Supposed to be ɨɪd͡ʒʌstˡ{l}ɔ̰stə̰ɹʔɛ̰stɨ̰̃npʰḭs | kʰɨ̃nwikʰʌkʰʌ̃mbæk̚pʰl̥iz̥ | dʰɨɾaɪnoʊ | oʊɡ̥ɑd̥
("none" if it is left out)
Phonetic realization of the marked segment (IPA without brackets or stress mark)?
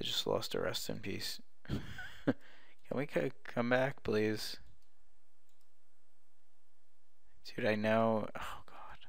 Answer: l